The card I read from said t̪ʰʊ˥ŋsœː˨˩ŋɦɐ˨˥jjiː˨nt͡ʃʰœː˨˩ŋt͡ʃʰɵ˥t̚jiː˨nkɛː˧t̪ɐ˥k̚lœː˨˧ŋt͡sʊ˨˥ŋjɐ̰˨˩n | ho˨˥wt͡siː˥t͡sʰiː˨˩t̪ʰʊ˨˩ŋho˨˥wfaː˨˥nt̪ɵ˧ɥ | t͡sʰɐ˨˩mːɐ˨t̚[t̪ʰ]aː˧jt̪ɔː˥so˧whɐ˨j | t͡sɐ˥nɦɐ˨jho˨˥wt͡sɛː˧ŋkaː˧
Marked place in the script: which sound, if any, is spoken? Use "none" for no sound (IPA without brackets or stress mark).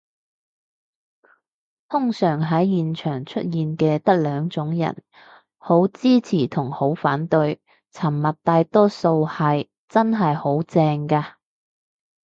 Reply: t̪